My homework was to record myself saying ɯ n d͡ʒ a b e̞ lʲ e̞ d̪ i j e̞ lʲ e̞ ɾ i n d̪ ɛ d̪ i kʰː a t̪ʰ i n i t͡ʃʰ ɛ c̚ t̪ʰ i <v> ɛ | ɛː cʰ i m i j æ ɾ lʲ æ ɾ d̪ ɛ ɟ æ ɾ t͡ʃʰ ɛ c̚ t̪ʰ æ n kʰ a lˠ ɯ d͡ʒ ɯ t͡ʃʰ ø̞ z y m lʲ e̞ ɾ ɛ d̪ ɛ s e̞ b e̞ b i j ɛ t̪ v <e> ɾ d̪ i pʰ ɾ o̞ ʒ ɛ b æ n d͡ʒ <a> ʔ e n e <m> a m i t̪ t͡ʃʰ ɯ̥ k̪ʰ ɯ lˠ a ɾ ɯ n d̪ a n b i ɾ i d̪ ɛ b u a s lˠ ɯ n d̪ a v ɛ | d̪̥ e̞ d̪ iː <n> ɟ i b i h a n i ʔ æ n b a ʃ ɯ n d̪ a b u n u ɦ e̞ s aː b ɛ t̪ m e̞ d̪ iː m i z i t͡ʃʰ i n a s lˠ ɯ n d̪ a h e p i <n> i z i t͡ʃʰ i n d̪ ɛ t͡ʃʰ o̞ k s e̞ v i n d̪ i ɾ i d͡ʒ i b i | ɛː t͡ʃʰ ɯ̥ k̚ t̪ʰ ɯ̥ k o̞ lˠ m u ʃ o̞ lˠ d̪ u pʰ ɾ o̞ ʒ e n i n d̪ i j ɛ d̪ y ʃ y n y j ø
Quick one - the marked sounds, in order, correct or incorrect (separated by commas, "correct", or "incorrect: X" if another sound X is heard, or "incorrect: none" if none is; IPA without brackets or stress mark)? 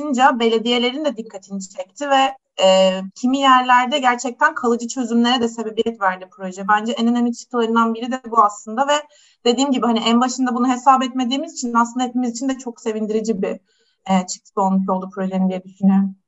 correct, incorrect: æ, incorrect: ɛ, incorrect: n, incorrect: m, incorrect: m